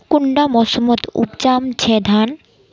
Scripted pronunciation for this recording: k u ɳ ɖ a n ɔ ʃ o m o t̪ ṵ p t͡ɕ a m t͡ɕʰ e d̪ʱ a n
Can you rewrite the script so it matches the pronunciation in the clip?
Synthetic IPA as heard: k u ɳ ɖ a m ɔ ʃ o m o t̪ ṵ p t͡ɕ a m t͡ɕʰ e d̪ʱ a n